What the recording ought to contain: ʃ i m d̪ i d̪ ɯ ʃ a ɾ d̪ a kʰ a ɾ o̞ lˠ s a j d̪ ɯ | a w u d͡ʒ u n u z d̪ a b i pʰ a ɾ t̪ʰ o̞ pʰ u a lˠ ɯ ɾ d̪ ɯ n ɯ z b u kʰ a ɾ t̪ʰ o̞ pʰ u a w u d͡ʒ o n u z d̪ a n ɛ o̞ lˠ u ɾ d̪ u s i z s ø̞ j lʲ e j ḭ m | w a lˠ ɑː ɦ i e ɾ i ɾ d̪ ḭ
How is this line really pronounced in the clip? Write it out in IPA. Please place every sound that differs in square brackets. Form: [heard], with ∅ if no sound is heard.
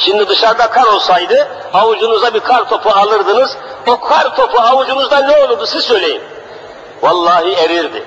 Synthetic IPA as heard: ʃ i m d̪ i d̪ ɯ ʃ a ɾ d̪ a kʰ a ɾ o̞ lˠ s a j d̪ ɯ | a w u d͡ʒ u n u z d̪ a b i [kʰ] a ɾ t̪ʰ o̞ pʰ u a lˠ ɯ ɾ d̪ ɯ n ɯ z b u kʰ a ɾ t̪ʰ o̞ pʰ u a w u d͡ʒ [u] n u z d̪ a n ɛ o̞ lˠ u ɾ d̪ u s i z s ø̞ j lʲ e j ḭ m | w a [lˠː] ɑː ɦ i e ɾ i ɾ d̪ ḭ